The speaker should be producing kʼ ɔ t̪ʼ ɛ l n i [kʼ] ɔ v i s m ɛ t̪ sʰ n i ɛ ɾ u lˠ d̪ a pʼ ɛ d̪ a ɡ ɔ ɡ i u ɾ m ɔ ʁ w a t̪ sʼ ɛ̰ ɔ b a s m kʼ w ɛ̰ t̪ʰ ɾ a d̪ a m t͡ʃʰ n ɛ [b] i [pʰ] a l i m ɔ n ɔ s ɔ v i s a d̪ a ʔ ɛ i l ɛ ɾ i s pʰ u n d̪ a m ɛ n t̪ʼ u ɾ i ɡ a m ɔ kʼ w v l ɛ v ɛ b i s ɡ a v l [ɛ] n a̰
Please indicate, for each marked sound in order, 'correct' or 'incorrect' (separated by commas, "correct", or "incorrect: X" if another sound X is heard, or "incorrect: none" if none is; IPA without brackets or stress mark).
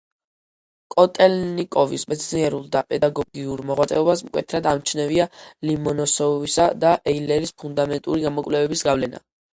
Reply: correct, incorrect: v, incorrect: none, correct